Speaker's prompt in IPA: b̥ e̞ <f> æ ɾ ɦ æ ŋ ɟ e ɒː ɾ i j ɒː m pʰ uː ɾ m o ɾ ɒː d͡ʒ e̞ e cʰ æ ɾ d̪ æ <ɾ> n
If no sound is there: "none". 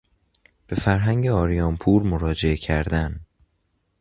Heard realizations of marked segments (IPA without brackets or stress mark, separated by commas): f, none